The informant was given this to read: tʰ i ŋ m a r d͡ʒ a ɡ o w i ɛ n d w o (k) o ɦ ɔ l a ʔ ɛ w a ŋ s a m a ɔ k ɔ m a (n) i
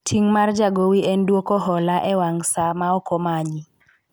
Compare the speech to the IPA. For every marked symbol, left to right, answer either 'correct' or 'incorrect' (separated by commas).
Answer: correct, incorrect